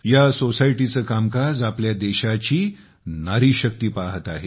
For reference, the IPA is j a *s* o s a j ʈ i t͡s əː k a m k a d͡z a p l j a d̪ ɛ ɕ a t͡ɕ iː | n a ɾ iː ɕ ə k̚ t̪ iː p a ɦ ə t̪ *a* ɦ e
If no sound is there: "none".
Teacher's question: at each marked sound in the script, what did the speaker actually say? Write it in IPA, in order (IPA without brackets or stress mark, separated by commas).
s, a